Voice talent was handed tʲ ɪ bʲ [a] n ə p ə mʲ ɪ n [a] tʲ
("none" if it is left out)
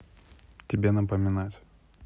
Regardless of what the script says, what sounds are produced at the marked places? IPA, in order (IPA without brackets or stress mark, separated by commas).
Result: e, a